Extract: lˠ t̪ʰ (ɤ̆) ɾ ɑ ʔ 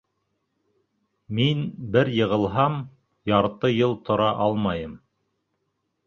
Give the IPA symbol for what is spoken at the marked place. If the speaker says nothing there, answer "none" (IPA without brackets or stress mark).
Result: ŏ